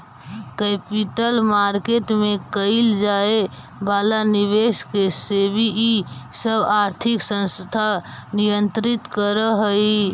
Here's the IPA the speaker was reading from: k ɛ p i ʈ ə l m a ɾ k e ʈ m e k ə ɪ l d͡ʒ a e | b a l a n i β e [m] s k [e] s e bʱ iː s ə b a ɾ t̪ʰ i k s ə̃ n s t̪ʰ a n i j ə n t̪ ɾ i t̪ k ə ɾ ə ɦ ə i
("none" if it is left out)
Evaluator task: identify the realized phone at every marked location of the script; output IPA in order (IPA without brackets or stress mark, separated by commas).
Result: none, e